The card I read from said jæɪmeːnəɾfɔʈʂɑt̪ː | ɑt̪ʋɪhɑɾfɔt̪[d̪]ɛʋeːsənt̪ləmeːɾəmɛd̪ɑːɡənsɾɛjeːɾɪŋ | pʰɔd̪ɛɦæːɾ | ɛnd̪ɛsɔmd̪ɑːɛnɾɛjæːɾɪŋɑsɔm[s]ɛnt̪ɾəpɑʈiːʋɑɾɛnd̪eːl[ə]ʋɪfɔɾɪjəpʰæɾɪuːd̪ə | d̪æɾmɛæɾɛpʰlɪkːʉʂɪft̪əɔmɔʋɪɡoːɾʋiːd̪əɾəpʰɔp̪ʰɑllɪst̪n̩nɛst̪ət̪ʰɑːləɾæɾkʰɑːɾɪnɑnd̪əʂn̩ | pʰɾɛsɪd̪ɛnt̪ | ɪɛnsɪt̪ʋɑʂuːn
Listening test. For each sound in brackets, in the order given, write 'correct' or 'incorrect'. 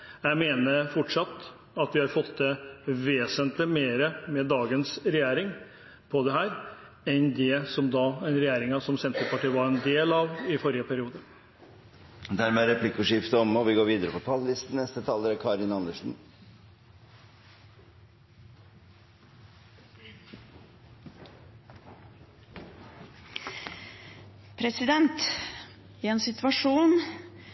correct, correct, incorrect: ɑ

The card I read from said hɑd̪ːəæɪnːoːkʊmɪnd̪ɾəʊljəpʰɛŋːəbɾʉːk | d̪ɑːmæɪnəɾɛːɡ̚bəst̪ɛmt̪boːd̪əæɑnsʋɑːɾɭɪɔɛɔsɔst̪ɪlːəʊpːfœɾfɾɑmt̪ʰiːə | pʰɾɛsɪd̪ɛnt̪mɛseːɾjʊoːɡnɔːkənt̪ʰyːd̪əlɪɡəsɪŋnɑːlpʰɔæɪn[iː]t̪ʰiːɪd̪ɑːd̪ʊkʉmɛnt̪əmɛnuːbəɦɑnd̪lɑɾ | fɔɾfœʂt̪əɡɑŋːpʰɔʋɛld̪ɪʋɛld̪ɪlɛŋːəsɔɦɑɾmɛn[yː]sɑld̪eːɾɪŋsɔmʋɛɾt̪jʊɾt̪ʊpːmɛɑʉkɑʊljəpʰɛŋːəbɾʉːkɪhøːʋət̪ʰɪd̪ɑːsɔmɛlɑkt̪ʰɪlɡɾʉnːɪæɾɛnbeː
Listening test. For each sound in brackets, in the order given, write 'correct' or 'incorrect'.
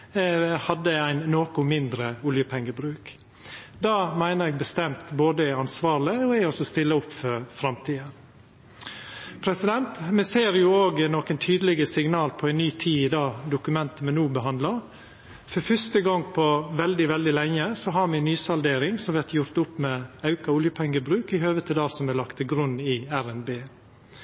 incorrect: yː, correct

